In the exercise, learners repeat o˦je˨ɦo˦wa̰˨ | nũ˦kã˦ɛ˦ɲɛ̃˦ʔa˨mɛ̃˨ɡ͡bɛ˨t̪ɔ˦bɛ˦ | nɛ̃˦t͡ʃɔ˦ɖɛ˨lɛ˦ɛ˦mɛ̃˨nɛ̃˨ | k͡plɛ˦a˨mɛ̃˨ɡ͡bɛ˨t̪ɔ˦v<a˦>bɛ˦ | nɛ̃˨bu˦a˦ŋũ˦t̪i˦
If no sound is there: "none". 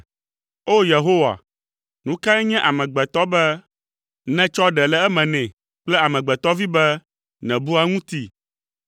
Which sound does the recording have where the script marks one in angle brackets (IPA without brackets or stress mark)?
i˦